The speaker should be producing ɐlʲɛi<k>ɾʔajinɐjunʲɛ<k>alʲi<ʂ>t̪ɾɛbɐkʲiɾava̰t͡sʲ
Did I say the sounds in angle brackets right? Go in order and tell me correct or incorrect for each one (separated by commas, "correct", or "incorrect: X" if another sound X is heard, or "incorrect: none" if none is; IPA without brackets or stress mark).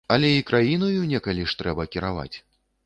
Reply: correct, correct, correct